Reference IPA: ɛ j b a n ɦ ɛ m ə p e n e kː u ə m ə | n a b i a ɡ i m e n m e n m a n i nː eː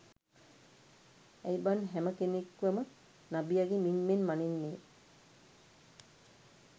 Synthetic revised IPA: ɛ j b a n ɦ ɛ m ə k e n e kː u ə m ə | n a b i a ɡ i m i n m e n m a n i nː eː